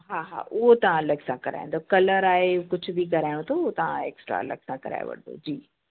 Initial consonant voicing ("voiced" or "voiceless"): voiced